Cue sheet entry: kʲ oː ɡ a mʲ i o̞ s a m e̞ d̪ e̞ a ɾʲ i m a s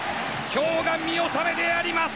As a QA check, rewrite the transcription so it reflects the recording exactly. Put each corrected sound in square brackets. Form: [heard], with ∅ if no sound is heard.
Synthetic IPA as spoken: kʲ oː ɡ a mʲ i o̞ s a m e̞ d̪ e̞ a ɾʲ i m a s